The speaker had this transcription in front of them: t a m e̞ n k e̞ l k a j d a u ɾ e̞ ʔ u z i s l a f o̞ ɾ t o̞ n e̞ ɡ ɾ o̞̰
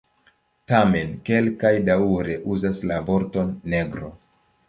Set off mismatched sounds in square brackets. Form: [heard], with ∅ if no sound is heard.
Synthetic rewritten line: t a m e̞ n k e̞ l k a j d a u ɾ e̞ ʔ u z [a] s l a [v] o̞ ɾ t o̞ [nː] e̞ ɡ ɾ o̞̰